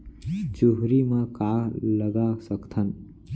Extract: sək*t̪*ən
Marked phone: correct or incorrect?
incorrect